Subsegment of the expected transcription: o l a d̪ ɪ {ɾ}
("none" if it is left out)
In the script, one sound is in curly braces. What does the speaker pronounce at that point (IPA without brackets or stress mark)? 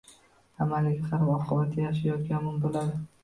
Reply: none